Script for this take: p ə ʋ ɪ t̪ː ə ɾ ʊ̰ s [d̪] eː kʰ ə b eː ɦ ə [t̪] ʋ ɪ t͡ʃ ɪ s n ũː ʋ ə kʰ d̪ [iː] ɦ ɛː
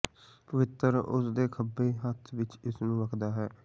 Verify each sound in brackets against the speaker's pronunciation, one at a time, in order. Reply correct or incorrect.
correct, incorrect: t̪ʰ, incorrect: aː

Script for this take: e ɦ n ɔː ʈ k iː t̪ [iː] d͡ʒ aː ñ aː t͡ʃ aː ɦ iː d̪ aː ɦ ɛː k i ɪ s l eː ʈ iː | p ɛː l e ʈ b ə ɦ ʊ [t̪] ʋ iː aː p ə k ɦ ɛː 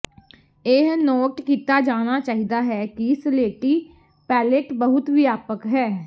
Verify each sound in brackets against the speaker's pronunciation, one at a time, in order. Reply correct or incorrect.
incorrect: aː, correct

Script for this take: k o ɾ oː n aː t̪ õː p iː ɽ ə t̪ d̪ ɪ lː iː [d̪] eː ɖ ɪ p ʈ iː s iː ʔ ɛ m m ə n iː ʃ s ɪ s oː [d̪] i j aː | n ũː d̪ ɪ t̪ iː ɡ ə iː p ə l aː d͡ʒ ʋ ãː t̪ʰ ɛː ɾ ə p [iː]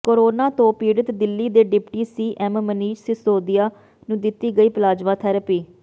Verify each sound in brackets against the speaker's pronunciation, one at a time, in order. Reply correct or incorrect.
correct, correct, correct

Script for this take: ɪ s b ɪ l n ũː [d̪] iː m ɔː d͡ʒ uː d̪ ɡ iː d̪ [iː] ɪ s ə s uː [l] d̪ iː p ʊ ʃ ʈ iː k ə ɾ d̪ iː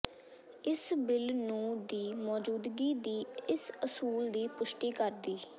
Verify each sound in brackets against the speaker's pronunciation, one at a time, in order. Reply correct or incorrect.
correct, correct, correct

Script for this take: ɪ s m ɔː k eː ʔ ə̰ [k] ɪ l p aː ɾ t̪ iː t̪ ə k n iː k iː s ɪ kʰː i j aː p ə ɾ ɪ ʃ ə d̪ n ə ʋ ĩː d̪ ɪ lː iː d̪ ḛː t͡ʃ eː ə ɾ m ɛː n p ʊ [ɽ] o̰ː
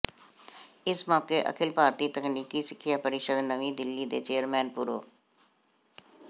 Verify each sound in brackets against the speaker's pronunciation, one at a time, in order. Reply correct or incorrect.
incorrect: kʰ, incorrect: ɾ

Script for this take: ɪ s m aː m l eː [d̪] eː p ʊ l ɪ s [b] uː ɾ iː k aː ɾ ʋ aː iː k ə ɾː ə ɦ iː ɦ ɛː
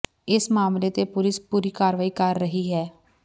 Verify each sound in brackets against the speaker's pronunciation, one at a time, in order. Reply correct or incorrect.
incorrect: t̪, incorrect: p

